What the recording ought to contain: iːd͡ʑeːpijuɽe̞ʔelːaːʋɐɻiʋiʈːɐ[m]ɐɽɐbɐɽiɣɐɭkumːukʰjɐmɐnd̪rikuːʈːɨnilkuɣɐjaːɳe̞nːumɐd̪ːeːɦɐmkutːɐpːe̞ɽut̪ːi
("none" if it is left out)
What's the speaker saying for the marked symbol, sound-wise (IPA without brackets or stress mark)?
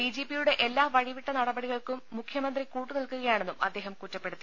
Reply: n